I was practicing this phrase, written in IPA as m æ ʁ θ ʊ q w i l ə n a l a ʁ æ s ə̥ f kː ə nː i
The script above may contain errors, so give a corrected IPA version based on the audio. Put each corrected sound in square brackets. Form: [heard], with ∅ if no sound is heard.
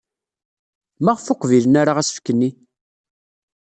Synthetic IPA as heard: m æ ʁ [f] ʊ q [v] i l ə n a [ɾ] a ʁ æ s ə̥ f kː ə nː i